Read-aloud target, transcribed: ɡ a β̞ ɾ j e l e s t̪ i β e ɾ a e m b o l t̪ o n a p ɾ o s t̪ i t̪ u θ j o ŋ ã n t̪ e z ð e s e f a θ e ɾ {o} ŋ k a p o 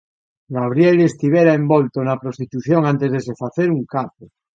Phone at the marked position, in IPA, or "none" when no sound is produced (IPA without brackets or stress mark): u